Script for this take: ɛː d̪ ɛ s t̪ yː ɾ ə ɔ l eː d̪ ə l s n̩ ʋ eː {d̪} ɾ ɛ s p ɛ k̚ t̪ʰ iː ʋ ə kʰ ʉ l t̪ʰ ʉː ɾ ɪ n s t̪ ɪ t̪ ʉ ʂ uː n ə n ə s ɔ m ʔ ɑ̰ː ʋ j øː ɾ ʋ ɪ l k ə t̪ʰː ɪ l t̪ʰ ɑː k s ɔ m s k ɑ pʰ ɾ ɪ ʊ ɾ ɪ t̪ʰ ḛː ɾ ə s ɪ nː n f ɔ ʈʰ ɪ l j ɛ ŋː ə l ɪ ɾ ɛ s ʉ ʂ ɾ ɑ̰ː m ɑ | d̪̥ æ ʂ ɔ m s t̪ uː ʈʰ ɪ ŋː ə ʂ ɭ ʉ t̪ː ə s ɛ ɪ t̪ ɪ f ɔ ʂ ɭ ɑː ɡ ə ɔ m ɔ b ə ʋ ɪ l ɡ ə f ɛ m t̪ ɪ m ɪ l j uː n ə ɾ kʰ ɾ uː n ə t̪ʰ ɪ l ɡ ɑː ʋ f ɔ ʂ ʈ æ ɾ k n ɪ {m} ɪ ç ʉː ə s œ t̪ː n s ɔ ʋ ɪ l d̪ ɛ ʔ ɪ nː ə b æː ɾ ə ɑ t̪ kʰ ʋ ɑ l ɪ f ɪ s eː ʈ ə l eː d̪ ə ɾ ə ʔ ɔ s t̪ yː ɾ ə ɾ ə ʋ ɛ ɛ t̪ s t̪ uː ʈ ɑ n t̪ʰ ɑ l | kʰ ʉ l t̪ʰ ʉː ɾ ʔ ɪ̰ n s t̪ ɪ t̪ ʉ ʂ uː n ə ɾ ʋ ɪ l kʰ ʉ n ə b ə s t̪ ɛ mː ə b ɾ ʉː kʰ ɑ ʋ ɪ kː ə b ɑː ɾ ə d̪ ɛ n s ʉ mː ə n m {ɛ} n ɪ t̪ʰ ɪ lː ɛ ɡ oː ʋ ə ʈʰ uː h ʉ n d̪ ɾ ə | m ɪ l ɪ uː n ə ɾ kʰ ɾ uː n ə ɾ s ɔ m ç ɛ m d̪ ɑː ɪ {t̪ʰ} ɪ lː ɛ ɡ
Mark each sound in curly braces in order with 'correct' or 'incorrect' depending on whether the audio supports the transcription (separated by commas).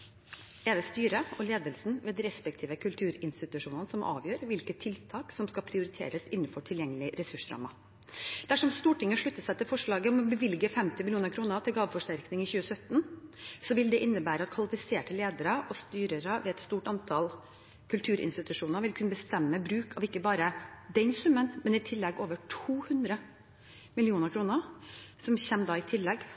correct, incorrect, correct, correct